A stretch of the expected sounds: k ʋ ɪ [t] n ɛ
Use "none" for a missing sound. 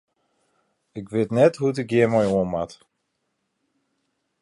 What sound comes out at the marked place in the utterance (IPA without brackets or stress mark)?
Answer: t